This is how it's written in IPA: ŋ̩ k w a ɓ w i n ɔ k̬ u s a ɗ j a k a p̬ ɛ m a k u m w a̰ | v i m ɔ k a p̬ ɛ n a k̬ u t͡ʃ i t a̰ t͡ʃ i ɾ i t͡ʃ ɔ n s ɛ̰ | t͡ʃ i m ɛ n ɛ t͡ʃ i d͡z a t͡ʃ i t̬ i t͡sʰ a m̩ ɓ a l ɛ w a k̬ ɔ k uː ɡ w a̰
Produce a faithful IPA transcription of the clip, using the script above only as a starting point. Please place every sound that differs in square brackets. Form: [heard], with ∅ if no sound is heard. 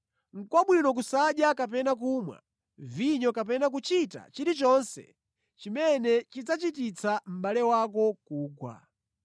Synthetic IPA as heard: ŋ̩ k w a ɓ w i n ɔ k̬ u s a ɗ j a k a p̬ ɛ [n] a k u m w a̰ | v i [ɲ] ɔ k a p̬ ɛ n a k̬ u t͡ʃ i t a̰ t͡ʃ i ɾ i t͡ʃ ɔ n s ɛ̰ | t͡ʃ i m ɛ n ɛ t͡ʃ i d͡z a t͡ʃ i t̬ i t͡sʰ a m̩ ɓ a l ɛ w a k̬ ɔ k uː ɡ w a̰